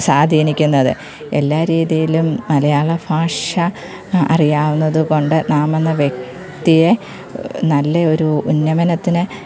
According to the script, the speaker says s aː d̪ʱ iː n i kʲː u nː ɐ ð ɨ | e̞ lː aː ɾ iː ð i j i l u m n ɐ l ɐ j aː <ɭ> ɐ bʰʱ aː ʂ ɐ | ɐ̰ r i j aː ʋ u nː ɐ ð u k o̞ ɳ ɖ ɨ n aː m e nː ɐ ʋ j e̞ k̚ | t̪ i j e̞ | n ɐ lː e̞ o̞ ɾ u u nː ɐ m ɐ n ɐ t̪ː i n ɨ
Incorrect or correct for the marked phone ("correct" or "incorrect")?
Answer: correct